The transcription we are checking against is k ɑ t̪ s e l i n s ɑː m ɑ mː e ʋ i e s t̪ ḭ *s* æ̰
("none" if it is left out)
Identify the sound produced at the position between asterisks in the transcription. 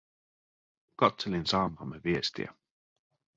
none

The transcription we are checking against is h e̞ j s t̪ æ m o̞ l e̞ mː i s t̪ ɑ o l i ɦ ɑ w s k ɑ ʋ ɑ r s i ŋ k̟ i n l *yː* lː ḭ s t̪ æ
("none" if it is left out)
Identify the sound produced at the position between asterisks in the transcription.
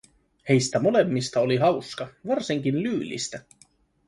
yː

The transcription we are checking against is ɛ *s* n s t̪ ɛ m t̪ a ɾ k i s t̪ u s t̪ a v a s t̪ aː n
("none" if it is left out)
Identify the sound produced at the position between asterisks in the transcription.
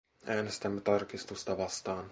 none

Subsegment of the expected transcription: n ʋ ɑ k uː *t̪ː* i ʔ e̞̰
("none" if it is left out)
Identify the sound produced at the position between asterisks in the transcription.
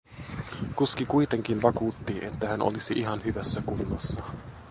t̪ː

